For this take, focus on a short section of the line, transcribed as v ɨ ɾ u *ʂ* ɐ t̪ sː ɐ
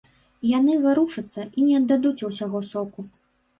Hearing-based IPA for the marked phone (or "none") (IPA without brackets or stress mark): ʂ